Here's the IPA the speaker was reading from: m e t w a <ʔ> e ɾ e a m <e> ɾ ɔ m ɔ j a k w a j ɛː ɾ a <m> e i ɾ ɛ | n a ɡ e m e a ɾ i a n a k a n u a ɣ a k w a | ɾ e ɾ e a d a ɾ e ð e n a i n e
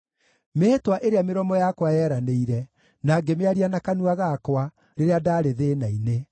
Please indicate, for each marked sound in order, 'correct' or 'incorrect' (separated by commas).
correct, correct, incorrect